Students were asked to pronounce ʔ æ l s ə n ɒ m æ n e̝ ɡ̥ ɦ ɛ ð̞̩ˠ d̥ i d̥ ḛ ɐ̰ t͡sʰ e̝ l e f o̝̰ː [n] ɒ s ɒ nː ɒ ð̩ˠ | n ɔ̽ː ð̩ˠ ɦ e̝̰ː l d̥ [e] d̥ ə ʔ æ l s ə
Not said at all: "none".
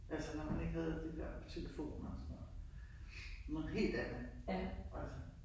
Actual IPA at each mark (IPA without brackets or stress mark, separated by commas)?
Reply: n, æ